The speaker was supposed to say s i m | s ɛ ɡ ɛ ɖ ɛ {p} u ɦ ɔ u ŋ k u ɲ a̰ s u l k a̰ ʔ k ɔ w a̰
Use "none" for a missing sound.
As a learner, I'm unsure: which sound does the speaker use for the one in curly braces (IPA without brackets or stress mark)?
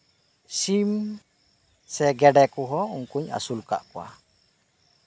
k